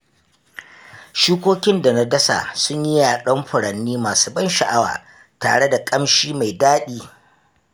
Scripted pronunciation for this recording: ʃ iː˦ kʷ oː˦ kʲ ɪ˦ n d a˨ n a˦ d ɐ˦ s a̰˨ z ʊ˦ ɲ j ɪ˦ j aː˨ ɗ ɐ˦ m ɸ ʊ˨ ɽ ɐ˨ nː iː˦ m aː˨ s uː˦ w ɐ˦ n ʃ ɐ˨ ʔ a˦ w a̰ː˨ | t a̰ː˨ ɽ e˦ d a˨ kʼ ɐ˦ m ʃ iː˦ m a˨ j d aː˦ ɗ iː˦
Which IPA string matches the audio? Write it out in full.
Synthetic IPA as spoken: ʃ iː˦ kʷ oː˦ kʲ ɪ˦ n d a˨ n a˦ d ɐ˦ s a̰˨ s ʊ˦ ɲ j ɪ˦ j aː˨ ɗ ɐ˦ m ɸ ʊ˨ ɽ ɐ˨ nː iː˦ m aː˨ s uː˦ b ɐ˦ n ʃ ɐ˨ ʔ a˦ w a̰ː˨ | t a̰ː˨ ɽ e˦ d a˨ kʼ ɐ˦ m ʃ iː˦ m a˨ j d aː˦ ɗ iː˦